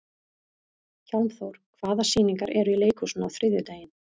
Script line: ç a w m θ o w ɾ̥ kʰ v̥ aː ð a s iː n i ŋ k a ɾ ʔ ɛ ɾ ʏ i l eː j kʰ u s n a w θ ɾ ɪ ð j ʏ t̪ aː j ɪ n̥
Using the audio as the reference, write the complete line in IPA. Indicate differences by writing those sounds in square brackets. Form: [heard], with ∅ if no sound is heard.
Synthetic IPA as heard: ç a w m θ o w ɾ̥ kʰ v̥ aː ð a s iː n i ŋ k a ɾ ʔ ɛ ɾ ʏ i l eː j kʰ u s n a w θ ɾ ɪ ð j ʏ t̪ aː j ɪ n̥